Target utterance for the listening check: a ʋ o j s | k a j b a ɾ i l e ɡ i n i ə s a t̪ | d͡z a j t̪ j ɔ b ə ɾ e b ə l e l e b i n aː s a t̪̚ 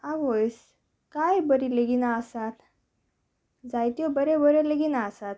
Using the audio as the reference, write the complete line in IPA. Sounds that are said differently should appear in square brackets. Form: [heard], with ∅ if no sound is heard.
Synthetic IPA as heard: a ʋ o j s | k a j b [ə] ɾ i l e ɡ i n [a] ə s a t̪ | d͡z a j t̪ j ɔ b ə ɾ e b ə [ɾ] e l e [ɡ] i n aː s a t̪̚

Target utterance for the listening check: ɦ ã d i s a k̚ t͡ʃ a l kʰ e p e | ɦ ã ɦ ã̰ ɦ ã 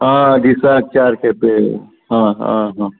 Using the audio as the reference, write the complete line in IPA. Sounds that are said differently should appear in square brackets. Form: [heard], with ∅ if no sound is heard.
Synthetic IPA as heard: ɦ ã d i s a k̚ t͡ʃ a [ɾ] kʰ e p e | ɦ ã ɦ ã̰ ɦ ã

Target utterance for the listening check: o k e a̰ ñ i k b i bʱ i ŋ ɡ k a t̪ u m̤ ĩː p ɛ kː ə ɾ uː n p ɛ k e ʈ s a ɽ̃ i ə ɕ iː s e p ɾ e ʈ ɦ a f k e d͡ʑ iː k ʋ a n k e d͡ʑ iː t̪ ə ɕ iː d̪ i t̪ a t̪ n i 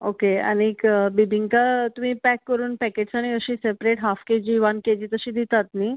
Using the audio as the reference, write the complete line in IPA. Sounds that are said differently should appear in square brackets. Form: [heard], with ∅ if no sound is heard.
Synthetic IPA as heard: o k e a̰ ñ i k b i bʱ i ŋ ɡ k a t̪ u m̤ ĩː p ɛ kː ə ɾ uː n p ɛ k e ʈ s a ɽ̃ i ə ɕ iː s e p ɾ e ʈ ɦ a f k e d͡ʑ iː [∅] ʋ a n k e d͡ʑ iː t̪ ə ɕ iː d̪ i t̪ a t̪ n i

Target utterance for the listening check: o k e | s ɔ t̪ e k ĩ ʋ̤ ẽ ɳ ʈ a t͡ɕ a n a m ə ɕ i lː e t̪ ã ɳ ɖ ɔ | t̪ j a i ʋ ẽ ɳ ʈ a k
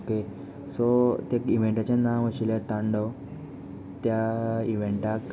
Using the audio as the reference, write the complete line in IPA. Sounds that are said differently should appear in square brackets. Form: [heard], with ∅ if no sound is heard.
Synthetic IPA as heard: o k e | s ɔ t̪ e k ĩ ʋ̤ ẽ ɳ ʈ a t͡ɕ a n a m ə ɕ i [l] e t̪ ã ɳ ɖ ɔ | t̪ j a i ʋ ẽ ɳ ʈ a k

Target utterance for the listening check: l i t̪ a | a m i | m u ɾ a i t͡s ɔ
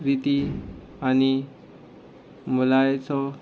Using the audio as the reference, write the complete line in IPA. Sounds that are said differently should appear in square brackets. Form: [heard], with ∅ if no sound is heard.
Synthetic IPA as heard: [ɾ] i t̪ [i] | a [n] i | m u [l] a [j] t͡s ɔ

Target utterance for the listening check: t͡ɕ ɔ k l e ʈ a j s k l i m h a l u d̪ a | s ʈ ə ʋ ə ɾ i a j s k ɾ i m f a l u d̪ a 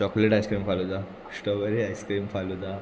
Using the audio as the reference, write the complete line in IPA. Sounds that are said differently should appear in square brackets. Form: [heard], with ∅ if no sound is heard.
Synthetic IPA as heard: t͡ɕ ɔ k l e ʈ a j s k [ɾ] i m [f] a l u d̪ a | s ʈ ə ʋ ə ɾ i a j s k ɾ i m f a l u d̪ a

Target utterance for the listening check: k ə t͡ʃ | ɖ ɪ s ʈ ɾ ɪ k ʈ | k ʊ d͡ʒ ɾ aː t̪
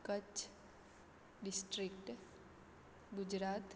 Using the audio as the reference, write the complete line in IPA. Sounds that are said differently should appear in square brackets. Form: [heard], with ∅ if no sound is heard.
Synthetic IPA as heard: k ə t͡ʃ | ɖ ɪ s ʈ ɾ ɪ k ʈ | [ɡ] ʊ d͡ʒ ɾ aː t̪

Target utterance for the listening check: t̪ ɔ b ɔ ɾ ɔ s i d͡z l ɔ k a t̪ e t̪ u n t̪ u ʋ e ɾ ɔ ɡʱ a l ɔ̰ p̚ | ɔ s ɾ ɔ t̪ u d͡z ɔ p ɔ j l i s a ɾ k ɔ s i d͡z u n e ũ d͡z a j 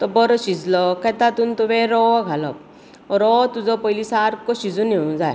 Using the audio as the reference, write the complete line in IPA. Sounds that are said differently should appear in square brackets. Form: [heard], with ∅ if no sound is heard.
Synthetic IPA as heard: t̪ ɔ b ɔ ɾ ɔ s i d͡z l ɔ k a t̪ [a] t̪ u n t̪ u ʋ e ɾ ɔ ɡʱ a l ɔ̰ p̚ | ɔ [∅] ɾ ɔ t̪ u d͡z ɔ p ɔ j l i s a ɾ k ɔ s i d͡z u n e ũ d͡z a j

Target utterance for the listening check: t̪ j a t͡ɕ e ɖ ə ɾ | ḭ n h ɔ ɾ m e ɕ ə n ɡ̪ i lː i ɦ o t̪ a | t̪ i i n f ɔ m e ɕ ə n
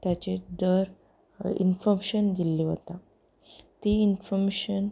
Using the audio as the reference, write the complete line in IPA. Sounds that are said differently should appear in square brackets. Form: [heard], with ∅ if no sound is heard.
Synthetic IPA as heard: t̪ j a t͡ɕ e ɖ ə ɾ | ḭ n [f] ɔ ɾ m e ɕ ə n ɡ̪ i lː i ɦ o t̪ a | t̪ i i n f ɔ m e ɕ ə n

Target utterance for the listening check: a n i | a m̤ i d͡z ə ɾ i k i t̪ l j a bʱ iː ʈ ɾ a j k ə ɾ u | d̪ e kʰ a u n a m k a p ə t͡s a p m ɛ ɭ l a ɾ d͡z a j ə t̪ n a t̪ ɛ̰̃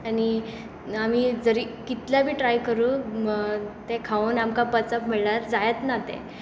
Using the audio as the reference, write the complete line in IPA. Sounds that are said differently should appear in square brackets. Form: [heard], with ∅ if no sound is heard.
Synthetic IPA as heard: a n i | a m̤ i d͡z ə ɾ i k i t̪ l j a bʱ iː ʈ ɾ a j k ə ɾ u | [t̪] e kʰ a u n a m k a p ə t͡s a p m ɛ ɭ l a ɾ d͡z a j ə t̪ n a t̪ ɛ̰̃

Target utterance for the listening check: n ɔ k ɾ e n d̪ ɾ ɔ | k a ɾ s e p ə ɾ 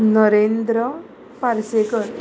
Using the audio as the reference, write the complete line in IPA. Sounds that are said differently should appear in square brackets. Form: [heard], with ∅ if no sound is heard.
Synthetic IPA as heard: n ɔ [∅] ɾ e n d̪ ɾ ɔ | [p] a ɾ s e [k] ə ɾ

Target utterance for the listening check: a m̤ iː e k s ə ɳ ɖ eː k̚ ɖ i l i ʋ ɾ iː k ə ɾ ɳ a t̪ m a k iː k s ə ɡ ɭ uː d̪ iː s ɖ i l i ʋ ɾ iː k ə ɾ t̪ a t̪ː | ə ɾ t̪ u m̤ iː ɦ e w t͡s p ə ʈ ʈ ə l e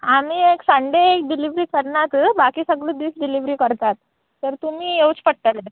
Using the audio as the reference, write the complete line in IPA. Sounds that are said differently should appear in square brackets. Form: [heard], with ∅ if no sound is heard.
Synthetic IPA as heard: a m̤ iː e k s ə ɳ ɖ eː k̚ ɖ i l i ʋ ɾ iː k ə ɾ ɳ a t̪ [b] a k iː [∅] s ə ɡ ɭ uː d̪ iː s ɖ i l i ʋ ɾ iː k ə ɾ t̪ a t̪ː | ə ɾ t̪ u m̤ iː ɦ e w t͡s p ə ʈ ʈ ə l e

